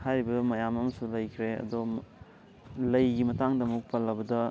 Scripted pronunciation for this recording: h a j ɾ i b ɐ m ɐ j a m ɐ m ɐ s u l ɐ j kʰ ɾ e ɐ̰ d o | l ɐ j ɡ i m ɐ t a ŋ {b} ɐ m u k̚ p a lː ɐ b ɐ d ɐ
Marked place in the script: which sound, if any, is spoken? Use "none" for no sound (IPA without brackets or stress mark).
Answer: d